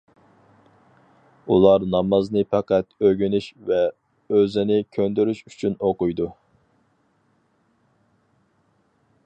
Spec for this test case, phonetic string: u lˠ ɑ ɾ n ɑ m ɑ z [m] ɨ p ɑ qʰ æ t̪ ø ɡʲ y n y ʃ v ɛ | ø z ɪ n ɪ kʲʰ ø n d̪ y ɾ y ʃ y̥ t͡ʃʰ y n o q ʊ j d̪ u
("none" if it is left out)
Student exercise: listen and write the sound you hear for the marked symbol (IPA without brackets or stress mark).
n